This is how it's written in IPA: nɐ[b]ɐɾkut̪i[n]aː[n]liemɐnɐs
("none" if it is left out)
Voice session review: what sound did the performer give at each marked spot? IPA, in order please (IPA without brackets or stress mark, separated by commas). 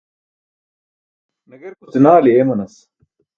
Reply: ɡ, n, none